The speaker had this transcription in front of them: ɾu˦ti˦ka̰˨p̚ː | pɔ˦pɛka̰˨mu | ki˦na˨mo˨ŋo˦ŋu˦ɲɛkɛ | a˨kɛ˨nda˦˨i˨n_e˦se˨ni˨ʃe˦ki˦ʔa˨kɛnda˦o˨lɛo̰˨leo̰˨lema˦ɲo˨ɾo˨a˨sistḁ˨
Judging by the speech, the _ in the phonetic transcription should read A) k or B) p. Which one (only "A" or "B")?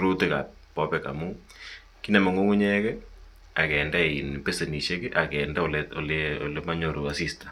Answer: B